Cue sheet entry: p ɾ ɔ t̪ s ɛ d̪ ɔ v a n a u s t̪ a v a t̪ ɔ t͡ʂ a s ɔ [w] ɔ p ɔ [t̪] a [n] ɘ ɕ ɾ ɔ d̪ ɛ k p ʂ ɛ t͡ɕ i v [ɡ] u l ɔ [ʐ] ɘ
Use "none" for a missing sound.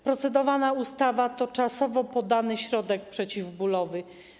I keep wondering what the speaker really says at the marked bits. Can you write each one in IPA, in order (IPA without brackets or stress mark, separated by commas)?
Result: v, d̪, n, b, v